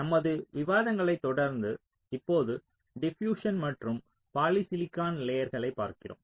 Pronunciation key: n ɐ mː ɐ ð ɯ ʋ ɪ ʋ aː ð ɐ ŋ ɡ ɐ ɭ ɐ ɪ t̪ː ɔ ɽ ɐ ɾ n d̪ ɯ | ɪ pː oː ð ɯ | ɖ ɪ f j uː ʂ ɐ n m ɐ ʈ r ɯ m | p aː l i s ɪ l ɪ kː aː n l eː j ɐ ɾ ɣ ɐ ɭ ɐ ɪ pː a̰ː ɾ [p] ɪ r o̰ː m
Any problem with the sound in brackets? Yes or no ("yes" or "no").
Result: yes